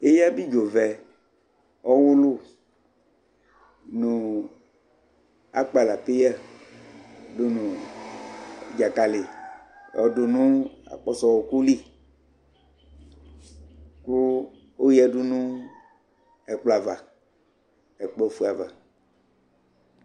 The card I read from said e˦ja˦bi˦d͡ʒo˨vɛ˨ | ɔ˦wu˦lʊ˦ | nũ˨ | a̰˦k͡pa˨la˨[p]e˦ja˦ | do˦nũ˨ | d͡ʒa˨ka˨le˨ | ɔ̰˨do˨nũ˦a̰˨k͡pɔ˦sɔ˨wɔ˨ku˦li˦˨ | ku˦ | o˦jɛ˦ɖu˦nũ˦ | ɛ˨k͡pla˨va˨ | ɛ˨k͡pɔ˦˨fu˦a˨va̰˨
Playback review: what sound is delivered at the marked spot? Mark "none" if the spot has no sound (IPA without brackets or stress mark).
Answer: p